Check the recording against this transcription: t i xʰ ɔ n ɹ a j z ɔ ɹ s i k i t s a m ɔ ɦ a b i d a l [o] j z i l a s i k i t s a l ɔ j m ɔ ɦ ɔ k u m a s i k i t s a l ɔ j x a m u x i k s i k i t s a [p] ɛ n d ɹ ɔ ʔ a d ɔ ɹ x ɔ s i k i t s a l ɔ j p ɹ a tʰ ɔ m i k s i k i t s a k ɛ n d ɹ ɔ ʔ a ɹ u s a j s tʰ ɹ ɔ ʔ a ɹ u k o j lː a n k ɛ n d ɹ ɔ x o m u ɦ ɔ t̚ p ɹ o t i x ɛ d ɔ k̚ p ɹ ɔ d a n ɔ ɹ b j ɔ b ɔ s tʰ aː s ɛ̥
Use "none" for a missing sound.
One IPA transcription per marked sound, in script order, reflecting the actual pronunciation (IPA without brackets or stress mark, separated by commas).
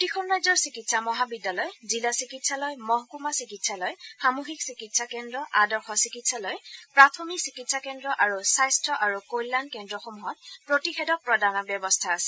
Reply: ɔ, k